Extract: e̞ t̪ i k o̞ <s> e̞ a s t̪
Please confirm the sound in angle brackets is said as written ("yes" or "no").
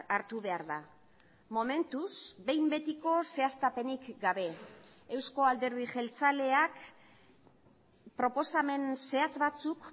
yes